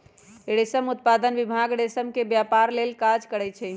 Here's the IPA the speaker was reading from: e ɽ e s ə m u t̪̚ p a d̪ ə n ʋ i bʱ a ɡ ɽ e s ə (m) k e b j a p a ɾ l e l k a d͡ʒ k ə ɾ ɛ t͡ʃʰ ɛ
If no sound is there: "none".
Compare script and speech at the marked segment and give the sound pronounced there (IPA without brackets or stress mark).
m